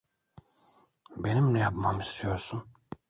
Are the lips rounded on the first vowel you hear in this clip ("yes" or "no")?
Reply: no